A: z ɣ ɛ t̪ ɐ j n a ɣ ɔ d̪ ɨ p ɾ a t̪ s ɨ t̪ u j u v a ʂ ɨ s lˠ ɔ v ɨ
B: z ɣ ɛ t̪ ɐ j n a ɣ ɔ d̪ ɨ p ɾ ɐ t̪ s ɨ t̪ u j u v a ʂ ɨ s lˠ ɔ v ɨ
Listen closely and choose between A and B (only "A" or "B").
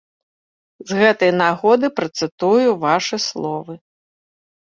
B